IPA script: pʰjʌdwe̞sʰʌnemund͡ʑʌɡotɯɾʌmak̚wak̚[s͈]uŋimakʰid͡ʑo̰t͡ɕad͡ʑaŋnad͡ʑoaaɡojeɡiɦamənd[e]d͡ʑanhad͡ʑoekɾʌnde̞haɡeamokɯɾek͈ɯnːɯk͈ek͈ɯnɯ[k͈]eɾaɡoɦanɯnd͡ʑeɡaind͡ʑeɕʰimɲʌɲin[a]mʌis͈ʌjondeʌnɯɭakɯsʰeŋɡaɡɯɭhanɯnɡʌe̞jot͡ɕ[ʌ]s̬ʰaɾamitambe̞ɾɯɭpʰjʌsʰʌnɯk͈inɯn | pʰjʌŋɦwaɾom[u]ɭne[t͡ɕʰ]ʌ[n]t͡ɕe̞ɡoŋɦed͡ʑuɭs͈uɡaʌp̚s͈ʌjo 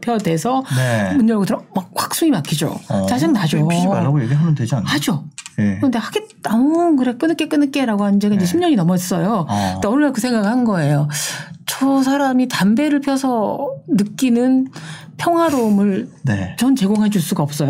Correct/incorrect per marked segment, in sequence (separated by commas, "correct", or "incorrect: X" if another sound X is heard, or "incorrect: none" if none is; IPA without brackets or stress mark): correct, correct, correct, incorrect: ʌ, correct, incorrect: ɯ, incorrect: t͡ɕ, correct